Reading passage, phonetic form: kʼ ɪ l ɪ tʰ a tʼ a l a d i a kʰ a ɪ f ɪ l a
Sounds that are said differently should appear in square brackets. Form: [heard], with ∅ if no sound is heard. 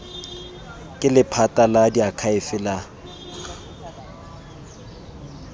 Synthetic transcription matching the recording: kʼ ɪ l ɪ [pʰ] a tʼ a l a d i a kʰ a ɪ f ɪ l a